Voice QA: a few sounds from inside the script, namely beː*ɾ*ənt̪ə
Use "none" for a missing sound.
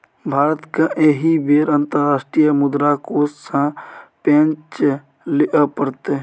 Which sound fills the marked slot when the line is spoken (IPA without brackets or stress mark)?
ɾ